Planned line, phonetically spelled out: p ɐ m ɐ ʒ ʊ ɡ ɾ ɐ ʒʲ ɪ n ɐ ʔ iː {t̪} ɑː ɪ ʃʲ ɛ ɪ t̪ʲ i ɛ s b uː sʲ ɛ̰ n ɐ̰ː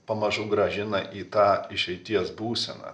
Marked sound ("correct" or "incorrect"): correct